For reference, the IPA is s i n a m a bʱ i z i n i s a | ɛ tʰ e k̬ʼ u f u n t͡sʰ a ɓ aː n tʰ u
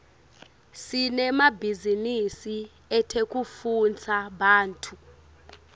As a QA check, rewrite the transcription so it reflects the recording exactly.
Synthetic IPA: s i n ɛ m a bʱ i z i n i s i | ɛ tʰ e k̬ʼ u f u n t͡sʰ a ɓ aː n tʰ u